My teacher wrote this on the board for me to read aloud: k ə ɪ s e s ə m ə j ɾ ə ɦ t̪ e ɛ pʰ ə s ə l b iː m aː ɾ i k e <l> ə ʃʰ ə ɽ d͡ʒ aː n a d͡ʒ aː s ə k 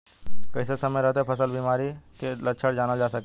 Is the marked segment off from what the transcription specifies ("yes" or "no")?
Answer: no